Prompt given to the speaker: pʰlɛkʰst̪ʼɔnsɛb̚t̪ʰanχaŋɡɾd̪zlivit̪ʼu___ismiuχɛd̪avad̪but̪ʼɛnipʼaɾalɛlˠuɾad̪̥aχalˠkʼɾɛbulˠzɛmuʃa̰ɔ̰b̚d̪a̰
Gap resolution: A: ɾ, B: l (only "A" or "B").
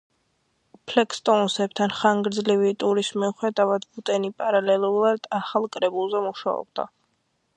A